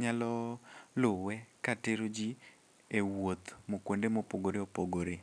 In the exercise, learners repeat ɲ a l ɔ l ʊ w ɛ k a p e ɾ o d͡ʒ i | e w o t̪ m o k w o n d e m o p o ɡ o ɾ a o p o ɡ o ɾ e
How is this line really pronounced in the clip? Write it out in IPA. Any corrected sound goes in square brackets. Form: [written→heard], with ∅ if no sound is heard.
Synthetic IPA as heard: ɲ a l ɔ l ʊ w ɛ k a [p→t] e ɾ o d͡ʒ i | e w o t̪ m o k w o n d e m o p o ɡ o ɾ [a→e] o p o ɡ o ɾ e